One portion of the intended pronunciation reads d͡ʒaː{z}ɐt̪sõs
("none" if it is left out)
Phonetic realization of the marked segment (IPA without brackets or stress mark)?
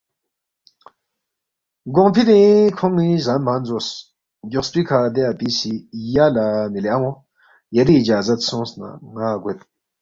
z